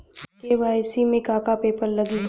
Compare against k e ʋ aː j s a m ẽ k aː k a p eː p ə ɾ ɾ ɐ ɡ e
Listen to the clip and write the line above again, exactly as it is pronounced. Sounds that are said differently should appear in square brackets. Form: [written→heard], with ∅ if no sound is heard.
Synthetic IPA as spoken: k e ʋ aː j s [a→i] m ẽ k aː k a p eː p ə ɾ [ɾ→l] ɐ ɡ [e→i]